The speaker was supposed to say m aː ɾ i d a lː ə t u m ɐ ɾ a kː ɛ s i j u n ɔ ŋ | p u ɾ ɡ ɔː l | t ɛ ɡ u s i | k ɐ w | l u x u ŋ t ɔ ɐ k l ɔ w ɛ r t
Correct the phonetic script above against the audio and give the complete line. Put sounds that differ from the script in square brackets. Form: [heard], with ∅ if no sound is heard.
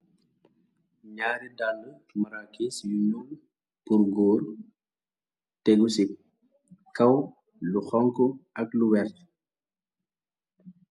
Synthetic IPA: [ɲ] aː ɾ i d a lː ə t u m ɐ ɾ a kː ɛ s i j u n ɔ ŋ | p u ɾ ɡ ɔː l | t ɛ ɡ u s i | k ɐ w | l u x [ɔ] ŋ [k] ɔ ɐ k l [u] w ɛ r t